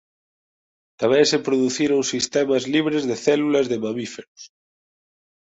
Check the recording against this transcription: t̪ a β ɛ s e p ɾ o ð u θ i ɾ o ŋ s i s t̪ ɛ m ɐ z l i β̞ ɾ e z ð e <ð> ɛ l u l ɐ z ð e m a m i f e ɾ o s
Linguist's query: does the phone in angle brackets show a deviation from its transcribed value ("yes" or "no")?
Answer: yes